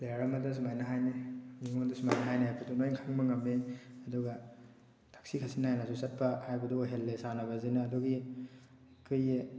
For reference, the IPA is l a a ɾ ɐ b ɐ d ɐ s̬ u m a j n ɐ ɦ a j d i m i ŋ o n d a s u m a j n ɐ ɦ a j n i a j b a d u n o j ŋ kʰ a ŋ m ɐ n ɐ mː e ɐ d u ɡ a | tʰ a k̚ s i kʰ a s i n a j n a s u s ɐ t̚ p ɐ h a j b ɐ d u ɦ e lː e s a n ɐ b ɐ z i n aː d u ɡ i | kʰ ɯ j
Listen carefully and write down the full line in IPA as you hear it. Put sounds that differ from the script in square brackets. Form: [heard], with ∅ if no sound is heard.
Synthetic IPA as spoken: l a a ɾ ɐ [m] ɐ d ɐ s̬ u m a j n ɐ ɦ a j [n] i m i ŋ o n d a s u m a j n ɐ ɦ a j n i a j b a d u n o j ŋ kʰ a ŋ m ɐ [ŋ] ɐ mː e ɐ d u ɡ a | tʰ a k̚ s i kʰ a s i n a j n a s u s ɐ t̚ p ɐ h a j b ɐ d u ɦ e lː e s a n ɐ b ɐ z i n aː d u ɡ i | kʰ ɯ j

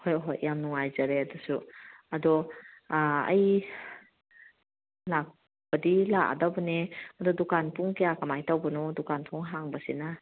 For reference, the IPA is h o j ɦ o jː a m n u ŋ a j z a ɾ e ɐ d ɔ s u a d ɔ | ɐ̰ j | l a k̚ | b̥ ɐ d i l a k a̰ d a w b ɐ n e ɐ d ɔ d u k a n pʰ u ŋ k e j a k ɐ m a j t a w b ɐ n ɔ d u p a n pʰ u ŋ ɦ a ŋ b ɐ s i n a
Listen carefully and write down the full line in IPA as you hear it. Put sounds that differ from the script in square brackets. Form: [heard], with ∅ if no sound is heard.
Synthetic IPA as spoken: h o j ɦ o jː a m n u ŋ a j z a ɾ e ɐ d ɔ s u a d ɔ | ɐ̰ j | l a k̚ | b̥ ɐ d i l a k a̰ d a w b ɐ n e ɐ d ɔ d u k a n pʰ u ŋ k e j a k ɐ m a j t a w b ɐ n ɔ d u [k] a n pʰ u ŋ ɦ a ŋ b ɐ s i n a

